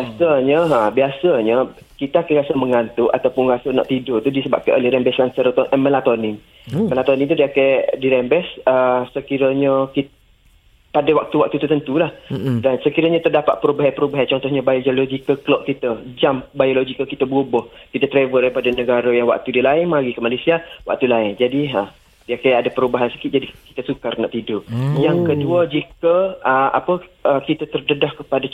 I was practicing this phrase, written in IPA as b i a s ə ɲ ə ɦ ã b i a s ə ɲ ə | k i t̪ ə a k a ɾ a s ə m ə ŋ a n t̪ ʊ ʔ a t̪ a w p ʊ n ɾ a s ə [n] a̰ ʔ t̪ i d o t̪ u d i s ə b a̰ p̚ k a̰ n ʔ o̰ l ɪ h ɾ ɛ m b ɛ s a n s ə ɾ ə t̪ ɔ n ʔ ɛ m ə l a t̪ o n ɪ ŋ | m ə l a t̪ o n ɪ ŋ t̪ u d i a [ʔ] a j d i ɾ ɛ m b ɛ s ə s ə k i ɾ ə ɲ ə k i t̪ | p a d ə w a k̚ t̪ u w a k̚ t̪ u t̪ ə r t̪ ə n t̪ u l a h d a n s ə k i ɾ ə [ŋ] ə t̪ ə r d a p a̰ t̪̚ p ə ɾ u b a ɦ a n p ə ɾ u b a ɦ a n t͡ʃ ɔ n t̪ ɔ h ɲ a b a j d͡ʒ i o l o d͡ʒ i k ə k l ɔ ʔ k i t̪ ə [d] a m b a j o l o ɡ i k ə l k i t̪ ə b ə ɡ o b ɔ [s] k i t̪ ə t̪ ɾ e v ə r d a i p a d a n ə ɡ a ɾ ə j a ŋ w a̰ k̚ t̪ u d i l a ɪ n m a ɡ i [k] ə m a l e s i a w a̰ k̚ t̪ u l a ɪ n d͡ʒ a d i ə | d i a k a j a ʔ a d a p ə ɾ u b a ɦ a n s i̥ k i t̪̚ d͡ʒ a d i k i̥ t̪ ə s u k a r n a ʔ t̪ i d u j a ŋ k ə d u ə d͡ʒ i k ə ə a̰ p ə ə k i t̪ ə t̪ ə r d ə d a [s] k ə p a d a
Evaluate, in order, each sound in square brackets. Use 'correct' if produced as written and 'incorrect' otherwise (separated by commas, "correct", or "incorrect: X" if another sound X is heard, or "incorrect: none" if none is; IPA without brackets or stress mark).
correct, incorrect: k, incorrect: ɲ, incorrect: d͡ʒ, incorrect: h, correct, incorrect: h